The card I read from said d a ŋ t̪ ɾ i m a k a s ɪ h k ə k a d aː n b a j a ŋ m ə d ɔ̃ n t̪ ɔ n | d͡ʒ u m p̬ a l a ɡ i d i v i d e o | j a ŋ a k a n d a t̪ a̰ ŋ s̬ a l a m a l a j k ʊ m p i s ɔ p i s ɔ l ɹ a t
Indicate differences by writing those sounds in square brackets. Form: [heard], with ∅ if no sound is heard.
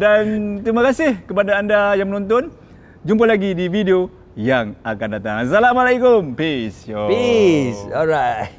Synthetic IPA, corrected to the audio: d a [n] t̪ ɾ i m a k a s ɪ h k ə [p] a d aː n [d] a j a ŋ m ə [n] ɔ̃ n t̪ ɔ n | d͡ʒ u m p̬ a l a ɡ i d i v i d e o | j a ŋ a k a n d a t̪ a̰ ŋ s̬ a l a m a l a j k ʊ m p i s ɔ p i s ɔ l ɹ a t